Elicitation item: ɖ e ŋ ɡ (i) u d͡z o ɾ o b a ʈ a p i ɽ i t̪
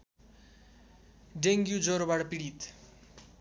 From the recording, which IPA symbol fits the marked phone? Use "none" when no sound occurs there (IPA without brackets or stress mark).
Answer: j